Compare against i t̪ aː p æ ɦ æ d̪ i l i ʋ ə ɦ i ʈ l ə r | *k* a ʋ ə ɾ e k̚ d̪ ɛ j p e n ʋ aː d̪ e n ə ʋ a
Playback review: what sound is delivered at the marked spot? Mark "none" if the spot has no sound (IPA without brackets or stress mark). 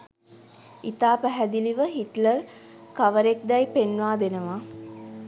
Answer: k